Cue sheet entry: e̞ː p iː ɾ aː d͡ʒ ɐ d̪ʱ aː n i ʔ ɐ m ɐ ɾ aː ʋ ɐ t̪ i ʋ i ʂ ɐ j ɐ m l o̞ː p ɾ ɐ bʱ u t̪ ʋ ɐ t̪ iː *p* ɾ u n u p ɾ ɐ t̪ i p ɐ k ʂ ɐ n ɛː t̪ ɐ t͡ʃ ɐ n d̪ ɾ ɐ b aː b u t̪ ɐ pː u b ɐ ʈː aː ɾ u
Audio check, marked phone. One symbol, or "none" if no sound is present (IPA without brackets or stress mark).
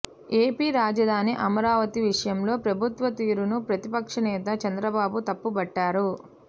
none